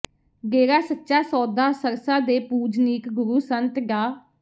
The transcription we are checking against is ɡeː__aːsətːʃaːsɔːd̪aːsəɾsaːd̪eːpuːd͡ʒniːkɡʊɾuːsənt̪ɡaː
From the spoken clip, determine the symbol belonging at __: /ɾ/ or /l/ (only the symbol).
ɾ